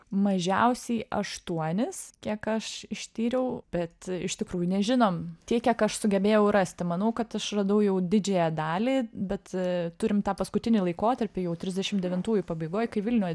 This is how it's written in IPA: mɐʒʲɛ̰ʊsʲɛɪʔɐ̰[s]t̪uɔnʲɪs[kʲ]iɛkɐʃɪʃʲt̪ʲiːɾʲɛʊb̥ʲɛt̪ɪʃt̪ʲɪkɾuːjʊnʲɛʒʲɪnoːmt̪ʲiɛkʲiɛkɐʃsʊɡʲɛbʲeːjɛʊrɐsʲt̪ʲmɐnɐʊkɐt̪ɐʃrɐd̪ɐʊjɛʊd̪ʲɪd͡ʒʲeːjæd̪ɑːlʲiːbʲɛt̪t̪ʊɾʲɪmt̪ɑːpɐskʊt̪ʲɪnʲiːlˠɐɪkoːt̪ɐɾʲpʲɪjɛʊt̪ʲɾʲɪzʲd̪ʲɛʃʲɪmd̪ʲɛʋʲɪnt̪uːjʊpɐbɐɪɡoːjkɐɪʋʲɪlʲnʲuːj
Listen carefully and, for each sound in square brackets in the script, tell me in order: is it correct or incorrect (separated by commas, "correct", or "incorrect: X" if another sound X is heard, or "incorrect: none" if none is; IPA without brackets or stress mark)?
incorrect: ʃ, correct